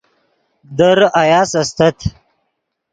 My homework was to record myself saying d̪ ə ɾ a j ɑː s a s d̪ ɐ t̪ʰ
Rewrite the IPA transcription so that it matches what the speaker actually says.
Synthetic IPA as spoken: d̪ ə ɾ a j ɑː s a s t̪ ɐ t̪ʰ